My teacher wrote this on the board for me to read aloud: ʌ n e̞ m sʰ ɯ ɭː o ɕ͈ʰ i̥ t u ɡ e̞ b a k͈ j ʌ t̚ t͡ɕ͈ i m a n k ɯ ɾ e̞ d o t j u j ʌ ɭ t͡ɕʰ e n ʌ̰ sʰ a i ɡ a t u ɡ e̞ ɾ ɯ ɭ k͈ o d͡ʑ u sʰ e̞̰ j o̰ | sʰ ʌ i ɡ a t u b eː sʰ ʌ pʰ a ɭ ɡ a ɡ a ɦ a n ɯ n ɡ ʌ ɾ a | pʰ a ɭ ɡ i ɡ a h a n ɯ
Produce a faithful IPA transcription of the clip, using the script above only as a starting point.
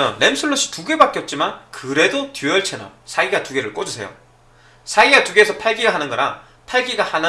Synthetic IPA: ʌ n e̞ m sʰ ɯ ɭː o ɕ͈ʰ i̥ t u ɡ e̞ b a k͈ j ʌ t̚ t͡ɕ͈ i m a n k ɯ ɾ e̞ d o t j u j ʌ ɭ t͡ɕʰ e n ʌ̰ sʰ a i ɡ a t u ɡ e̞ ɾ ɯ ɭ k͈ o d͡ʑ u sʰ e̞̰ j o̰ | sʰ a i ɡ a t u ɡ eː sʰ ʌ pʰ a ɭ ɡ i ɡ a ɦ a n ɯ n ɡ ʌ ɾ a | pʰ a ɭ ɡ i ɡ a h a n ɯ

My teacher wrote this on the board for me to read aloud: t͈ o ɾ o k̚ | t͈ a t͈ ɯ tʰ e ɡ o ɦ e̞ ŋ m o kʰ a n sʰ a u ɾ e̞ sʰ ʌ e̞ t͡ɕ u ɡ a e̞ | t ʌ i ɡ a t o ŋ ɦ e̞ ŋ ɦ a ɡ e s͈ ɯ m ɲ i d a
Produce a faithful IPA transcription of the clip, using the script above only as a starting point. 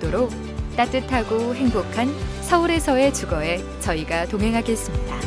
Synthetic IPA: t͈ o ɾ o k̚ | t͈ a t͈ ɯ tʰ a ɡ o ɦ e̞ ŋ b o kʰ a n sʰ ʌ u ɾ e̞ sʰ ʌ e̞ t͡ɕ u ɡ ʌ e̞ | t͡ɕ ʌ i ɡ a t o ŋ ɦ e̞ ŋ ɦ a ɡ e s͈ ɯ m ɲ i d a

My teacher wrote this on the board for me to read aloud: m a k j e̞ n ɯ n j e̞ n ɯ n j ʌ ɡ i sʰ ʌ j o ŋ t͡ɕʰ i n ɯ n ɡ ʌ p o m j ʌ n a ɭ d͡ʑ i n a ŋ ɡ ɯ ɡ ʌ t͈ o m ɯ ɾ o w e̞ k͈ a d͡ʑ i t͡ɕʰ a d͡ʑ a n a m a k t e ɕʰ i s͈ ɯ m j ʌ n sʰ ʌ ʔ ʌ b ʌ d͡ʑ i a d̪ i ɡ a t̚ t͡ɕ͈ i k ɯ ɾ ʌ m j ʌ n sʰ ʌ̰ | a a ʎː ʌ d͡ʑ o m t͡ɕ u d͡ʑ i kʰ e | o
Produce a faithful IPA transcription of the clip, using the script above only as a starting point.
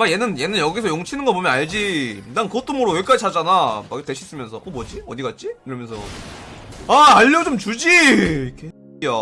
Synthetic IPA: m a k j e̞ n ɯ n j e̞ n ɯ n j ʌ ɡ i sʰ ʌ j o ŋ t͡ɕʰ i n ɯ n ɡ ʌ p o m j ʌ n a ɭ d͡ʑ i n a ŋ k ɯ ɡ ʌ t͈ o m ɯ ɾ o w e̞ k͈ a d͡ʑ i t͡ɕʰ a d͡ʑ a n a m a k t e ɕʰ i s͈ ɯ m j ʌ n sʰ ʌ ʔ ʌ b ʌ d͡ʑ i ʌ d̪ i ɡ a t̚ t͡ɕ͈ i k ɯ ɾ ʌ m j ʌ n sʰ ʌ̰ | a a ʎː ʌ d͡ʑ o m t͡ɕ u d͡ʑ i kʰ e | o

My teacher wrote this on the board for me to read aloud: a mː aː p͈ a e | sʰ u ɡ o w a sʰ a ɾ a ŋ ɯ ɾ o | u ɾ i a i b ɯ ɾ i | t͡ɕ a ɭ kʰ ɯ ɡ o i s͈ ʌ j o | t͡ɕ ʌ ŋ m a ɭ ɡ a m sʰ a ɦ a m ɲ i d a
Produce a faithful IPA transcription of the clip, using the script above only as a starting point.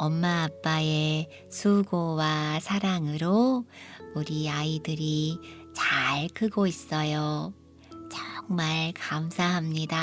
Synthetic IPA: ʌ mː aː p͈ a e | sʰ u ɡ o w a sʰ a ɾ a ŋ ɯ ɾ o | u ɾ i a i d ɯ ɾ i | t͡ɕ a ɭ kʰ ɯ ɡ o i s͈ ʌ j o | t͡ɕ ʌ ŋ m a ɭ k a m sʰ a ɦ a m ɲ i d a

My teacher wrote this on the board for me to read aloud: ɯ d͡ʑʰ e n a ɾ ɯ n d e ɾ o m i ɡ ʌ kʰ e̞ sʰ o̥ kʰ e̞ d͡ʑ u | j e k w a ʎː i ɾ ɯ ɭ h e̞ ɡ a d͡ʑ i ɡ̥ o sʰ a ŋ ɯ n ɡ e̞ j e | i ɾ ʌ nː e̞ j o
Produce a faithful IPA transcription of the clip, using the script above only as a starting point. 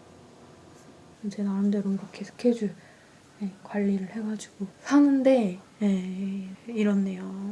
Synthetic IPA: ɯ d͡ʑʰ e n a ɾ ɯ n d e ɾ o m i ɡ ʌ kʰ e̞ sʰ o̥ kʰ e̞ d͡ʑ u | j e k w a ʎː i ɾ ɯ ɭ h e̞ ɡ a d͡ʑ i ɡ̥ o sʰ a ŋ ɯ n d e̞ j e | i ɾ ʌ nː e̞ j o

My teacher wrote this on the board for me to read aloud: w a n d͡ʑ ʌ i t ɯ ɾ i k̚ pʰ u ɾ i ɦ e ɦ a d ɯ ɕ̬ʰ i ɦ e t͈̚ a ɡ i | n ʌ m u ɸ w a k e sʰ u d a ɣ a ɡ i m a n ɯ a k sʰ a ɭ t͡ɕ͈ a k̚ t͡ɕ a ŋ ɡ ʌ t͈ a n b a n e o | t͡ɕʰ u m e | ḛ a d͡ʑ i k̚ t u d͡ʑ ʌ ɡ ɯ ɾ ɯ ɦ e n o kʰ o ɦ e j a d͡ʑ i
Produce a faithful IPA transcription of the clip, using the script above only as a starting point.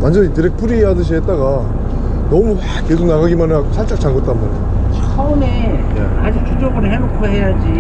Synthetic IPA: w a n d͡ʑ ʌ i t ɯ ɾ e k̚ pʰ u ɾ i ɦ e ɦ a d ɯ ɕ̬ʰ i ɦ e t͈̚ a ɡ a | n ʌ m u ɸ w a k e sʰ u n a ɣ a ɡ i m a n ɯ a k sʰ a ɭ t͡ɕ͈ a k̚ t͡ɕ a ŋ ɡ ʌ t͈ a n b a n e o | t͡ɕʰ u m e | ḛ a d͡ʑ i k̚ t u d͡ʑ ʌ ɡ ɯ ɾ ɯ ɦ e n o kʰ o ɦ e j a d͡ʑ i

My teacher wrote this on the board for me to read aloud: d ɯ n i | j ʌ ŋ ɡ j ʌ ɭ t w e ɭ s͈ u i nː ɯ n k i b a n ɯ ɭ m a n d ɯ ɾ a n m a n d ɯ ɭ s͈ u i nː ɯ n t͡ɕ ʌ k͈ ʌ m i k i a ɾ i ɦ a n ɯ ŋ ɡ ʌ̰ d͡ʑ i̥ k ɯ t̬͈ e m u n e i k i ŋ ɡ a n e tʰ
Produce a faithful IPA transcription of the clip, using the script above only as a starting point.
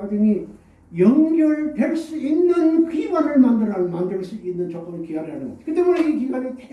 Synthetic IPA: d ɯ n i | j ʌ ŋ ɡ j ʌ ɭ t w e ɭ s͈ u i nː ɯ n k i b a n ɯ ɭ m a n d ɯ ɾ a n m a n d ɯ ɭ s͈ u i nː ɯ n t͡ɕ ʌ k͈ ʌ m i k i a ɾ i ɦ a n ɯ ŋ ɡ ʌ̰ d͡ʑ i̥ k ɯ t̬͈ e m u n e i k i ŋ ɡ a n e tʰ

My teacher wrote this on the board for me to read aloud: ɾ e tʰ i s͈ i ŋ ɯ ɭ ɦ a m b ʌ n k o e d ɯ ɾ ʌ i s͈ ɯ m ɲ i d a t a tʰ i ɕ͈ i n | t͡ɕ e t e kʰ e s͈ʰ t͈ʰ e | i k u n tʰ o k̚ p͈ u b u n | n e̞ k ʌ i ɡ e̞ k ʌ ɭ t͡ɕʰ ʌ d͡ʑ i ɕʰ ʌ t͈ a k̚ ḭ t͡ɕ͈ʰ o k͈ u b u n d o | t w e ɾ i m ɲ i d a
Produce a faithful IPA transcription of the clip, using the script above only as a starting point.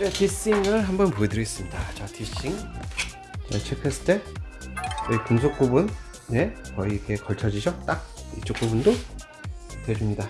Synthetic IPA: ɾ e tʰ i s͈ i ŋ ɯ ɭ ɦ a m b ʌ n p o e d ɯ ɾ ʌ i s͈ ɯ m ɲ i d a t͡ɕ a tʰ i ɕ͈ i ŋ | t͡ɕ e t͡ɕʰ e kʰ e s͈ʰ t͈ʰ e | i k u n sʰ o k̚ k͈ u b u n | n e̞ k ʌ i ɡ e̞ k ʌ ɭ t͡ɕʰ ʌ d͡ʑ i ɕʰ ʌ t͈ a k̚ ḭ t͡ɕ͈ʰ o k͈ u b u n d o | t w e ɾ i m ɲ i d a

